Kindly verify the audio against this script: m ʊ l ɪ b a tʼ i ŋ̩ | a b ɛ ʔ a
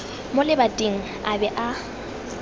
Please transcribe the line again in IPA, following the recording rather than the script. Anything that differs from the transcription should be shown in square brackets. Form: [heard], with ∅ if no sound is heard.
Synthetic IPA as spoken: m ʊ l ɪ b a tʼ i ŋ̩ | a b ɛ ʔ a